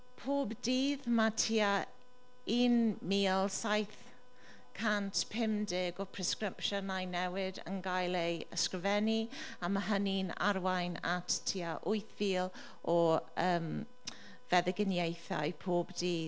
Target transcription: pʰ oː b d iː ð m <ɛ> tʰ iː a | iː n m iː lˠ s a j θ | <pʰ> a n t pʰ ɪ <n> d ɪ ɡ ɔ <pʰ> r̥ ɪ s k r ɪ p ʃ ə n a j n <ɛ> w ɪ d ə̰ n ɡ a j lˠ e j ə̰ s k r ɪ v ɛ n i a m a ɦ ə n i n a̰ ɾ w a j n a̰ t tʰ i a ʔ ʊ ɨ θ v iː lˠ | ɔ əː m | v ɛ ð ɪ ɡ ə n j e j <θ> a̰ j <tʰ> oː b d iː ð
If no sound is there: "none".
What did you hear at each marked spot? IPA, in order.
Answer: a, kʰ, m, pʰ, ɛ, θ, pʰ

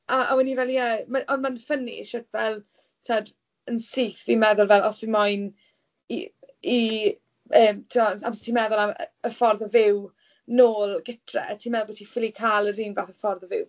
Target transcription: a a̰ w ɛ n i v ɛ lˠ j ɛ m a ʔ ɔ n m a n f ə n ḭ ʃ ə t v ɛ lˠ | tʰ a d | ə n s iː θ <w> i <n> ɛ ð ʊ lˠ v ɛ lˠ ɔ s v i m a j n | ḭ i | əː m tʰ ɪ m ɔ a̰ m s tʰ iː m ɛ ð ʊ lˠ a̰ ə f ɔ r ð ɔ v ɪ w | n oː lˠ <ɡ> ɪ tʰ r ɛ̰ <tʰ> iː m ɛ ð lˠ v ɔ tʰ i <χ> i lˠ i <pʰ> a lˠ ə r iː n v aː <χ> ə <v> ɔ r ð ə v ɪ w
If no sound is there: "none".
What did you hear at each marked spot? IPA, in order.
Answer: v, m, ɡ, tʰ, f, kʰ, θ, f

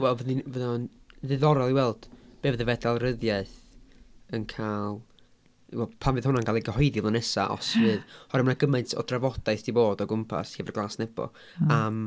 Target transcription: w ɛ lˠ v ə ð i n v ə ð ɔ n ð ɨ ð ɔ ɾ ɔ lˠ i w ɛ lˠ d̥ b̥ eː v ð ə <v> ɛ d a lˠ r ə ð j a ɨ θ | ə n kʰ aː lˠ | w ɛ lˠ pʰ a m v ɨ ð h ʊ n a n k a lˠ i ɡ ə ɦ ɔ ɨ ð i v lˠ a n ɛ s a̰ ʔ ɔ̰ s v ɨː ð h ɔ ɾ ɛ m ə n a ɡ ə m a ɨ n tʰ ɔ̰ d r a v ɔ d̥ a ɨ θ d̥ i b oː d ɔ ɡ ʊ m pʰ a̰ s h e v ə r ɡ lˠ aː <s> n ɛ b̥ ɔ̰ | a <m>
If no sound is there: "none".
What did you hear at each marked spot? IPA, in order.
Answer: v, s, m

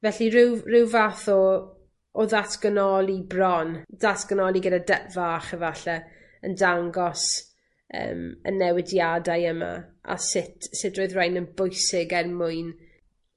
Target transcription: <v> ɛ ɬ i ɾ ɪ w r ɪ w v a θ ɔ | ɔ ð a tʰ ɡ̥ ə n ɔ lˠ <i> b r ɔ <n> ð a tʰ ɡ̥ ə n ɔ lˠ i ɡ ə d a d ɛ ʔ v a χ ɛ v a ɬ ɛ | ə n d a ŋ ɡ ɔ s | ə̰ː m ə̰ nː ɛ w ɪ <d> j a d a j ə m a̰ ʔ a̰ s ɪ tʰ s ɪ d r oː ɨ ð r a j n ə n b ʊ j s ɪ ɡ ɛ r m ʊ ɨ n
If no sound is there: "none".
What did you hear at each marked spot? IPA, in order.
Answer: v, i, n, d

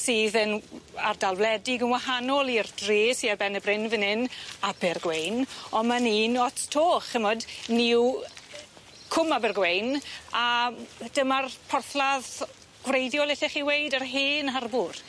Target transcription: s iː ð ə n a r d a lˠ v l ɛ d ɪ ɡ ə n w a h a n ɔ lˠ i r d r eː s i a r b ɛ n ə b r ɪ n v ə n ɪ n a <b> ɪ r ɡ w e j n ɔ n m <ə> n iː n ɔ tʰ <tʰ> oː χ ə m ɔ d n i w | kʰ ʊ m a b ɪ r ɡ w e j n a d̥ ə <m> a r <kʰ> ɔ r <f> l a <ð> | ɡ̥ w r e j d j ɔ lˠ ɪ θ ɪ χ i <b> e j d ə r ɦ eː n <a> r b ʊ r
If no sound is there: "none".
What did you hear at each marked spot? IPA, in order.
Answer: b, a, tʰ, m, pʰ, θ, ð, w, a

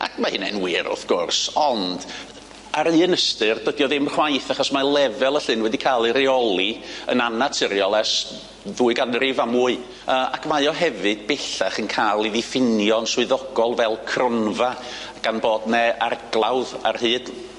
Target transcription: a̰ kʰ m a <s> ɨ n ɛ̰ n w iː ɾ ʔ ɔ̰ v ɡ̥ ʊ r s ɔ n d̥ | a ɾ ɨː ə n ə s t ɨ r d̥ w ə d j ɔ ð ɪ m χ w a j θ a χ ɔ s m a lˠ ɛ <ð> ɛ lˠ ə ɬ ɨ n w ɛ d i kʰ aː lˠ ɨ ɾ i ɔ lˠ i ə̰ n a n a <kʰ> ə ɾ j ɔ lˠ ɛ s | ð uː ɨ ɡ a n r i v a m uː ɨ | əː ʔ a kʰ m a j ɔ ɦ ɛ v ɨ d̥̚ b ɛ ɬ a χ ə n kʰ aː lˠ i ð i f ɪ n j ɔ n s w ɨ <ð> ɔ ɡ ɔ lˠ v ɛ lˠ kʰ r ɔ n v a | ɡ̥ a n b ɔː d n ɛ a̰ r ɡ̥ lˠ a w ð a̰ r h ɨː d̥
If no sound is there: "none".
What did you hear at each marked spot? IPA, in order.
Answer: h, v, tʰ, ð

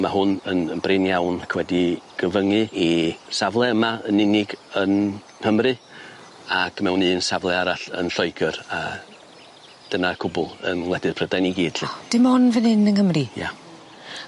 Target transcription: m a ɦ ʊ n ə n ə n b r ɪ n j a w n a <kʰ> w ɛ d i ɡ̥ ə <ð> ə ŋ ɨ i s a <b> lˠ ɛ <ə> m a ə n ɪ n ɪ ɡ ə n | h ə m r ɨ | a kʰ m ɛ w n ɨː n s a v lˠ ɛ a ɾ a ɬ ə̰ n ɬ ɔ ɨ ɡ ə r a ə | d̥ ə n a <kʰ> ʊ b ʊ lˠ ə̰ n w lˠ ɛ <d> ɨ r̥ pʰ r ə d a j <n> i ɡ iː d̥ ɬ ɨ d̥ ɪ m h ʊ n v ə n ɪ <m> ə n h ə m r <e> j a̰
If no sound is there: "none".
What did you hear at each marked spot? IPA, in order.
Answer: kʰ, v, v, ə, kʰ, d, n, n, i

